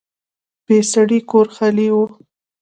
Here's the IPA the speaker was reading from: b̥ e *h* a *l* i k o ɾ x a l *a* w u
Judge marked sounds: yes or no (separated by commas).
no, no, no